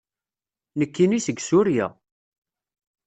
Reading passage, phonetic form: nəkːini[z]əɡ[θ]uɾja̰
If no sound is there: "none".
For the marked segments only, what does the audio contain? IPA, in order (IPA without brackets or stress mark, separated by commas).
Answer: s, s